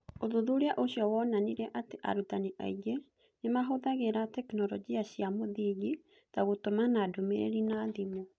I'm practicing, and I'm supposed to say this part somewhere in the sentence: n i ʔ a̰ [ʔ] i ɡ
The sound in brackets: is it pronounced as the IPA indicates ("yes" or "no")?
no